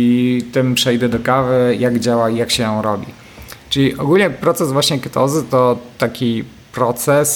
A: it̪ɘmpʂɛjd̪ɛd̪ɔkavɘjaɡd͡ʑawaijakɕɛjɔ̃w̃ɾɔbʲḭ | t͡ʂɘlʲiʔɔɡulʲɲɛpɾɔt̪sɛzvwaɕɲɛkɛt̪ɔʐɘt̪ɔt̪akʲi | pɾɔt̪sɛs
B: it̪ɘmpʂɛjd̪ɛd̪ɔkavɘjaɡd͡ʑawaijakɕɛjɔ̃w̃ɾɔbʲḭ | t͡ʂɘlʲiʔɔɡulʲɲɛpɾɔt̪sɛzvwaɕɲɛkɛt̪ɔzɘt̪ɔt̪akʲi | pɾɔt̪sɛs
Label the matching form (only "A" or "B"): B